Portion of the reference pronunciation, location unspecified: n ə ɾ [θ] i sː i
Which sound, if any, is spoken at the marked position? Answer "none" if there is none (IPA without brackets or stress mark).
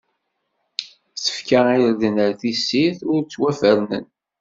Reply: θ